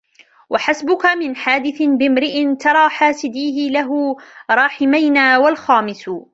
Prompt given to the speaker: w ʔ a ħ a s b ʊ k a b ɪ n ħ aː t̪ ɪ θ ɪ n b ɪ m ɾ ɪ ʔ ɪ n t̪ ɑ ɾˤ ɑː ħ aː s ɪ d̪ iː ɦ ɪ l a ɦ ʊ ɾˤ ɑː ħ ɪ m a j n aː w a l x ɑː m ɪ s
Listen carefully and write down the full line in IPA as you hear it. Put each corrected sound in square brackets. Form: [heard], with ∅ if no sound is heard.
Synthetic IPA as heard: w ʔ a ħ a s b ʊ k a [m] ɪ n ħ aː [d̪] ɪ θ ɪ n b ɪ m ɾ ɪ ʔ ɪ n t̪ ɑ ɾˤ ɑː ħ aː s ɪ d̪ iː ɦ ɪ l a ɦ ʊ ɾˤ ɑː ħ ɪ m a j n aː w a l x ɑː m ɪ s